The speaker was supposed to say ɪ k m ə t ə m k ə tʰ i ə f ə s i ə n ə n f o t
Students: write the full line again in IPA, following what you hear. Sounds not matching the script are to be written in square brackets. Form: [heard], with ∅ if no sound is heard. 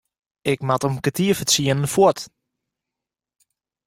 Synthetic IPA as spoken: ɪ k m [a] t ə m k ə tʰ i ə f ə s i ə n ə n f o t